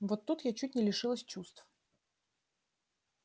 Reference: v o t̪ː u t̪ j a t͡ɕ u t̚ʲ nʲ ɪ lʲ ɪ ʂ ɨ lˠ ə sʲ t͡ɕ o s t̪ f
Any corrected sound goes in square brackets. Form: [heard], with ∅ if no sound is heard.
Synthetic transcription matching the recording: v o t̪ː u t̪ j a t͡ɕ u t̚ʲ nʲ ɪ lʲ ɪ ʂ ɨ lˠ ə sʲ t͡ɕ [u] s t̪ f